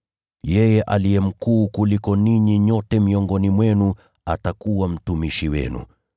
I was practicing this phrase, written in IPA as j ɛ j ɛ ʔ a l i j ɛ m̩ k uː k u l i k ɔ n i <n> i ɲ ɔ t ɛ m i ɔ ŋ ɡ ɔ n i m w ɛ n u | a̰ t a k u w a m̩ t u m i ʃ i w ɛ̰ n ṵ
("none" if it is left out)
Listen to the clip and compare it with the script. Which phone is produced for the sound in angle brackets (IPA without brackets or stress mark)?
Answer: ɲ